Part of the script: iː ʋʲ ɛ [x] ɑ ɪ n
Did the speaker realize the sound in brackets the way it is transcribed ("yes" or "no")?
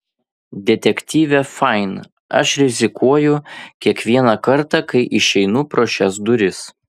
no